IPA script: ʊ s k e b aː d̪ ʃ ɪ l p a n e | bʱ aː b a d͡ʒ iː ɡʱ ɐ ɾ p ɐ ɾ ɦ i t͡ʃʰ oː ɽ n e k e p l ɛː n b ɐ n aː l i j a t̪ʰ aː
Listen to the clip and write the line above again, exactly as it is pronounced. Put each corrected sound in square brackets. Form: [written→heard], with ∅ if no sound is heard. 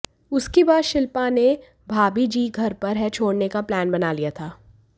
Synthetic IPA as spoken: ʊ s k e b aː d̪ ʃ ɪ l p a n e | bʱ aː b [a→i] d͡ʒ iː ɡʱ ɐ ɾ p ɐ ɾ ɦ [i→ɛ] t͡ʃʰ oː ɽ n e k [e→a] p l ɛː n b ɐ n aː l i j a t̪ʰ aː